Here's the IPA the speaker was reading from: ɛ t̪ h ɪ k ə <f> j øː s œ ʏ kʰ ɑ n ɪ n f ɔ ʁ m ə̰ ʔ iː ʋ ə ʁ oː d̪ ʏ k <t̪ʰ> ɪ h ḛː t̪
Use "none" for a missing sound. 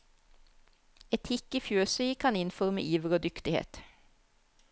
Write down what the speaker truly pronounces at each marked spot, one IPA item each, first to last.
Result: f, t̪

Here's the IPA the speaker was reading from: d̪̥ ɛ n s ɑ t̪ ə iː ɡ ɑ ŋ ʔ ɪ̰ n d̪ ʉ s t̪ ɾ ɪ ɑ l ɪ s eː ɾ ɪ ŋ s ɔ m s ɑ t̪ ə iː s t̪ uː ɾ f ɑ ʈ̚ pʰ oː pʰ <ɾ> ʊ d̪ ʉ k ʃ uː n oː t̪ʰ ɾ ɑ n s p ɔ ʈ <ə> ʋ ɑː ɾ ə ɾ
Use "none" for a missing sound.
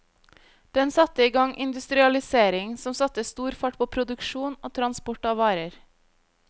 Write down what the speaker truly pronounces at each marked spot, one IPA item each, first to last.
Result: ɾ, ɑ

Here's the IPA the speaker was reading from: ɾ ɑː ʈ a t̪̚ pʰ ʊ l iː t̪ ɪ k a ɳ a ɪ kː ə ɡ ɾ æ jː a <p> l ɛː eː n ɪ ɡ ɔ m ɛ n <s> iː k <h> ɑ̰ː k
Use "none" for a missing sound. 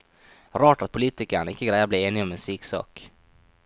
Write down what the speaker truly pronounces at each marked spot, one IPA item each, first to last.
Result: b, s, s

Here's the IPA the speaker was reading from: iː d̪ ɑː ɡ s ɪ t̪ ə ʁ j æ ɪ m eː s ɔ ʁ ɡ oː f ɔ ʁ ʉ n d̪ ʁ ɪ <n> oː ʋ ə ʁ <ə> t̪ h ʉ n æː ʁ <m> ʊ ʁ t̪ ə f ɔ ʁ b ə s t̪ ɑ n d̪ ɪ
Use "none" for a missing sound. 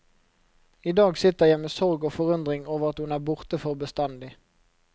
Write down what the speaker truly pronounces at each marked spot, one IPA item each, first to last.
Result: ŋ, ɑ, b

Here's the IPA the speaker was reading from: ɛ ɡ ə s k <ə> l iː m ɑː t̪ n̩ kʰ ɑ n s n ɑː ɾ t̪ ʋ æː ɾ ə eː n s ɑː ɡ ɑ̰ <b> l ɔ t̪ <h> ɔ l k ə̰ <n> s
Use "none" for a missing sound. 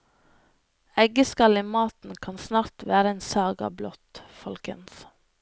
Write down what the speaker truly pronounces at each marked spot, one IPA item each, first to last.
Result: ɑ, b, f, n

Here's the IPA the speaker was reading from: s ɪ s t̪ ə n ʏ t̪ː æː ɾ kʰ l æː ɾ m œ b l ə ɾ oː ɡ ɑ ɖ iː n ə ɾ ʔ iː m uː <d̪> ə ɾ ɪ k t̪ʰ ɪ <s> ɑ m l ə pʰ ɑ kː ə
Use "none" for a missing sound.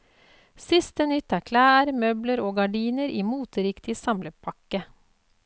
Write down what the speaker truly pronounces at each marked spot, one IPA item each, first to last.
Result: t̪, s

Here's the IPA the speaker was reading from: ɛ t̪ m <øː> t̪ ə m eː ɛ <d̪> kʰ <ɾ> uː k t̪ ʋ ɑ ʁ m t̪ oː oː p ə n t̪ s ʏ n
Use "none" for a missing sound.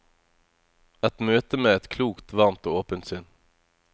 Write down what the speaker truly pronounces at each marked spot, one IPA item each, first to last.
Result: øː, t̪, l

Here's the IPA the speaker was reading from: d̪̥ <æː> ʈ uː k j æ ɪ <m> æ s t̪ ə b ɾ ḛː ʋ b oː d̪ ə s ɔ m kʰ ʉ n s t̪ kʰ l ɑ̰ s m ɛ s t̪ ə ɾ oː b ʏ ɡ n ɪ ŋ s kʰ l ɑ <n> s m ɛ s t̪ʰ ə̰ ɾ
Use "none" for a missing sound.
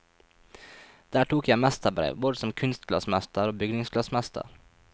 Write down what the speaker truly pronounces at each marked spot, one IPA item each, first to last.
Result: æː, m, none

